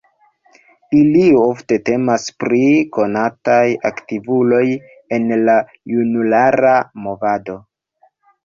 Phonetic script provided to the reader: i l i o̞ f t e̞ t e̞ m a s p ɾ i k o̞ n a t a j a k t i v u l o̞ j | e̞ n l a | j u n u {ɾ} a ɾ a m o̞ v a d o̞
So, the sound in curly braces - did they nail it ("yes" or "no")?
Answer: no